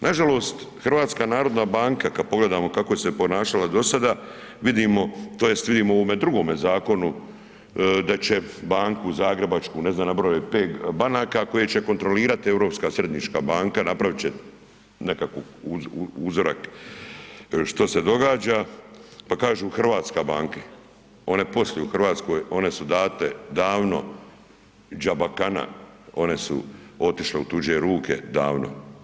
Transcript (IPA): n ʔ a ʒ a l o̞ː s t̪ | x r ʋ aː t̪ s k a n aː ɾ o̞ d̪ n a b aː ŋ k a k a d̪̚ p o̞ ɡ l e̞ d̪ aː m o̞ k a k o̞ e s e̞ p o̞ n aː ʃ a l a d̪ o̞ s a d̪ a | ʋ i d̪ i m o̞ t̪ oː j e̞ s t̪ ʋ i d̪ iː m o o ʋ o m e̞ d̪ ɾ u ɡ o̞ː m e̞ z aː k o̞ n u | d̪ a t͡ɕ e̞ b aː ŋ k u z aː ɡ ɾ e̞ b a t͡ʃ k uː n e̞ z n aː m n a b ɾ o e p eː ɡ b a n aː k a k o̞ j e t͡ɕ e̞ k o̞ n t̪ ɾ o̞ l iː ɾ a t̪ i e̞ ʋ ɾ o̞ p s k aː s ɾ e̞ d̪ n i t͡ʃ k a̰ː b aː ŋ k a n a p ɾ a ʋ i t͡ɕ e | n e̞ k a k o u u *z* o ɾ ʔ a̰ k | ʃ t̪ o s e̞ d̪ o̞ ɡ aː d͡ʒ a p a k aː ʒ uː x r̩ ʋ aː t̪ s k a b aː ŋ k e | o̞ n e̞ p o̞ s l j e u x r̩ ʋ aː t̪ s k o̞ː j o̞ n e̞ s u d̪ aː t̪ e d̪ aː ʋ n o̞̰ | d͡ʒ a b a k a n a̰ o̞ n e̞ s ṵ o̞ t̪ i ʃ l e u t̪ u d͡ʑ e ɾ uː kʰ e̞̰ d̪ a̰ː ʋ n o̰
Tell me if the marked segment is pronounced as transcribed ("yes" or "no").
yes